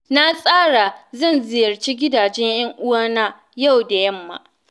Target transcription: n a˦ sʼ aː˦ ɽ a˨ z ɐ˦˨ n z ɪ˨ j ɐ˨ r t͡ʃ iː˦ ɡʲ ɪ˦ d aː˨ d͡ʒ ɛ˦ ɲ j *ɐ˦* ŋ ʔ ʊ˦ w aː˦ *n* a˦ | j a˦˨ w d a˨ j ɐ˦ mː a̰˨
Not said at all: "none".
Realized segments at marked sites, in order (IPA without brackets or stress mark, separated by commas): ɐ˦, n